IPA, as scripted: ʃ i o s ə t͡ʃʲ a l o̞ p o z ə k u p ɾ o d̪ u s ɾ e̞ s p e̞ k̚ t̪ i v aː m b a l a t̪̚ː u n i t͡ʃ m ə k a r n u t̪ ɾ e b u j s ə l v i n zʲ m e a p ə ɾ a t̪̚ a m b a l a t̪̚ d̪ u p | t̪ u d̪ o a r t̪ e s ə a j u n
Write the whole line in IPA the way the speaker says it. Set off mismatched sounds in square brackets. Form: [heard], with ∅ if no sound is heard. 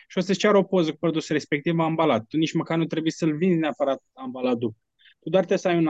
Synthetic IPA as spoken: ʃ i o s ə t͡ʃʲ a [ɾ] o̞ p o z ə k u p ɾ o d̪ u s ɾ e̞ s p e̞ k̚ t̪ i v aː m b a l a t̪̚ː u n i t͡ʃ m ə k a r n u t̪ ɾ e b u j s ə l v i n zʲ [n] e a p ə ɾ a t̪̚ a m b a l a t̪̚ d̪ u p | t̪ u d̪ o a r t̪ e s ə a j u n